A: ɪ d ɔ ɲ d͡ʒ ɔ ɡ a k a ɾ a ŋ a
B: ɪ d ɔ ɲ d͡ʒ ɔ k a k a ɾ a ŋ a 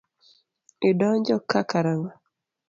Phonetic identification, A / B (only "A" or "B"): B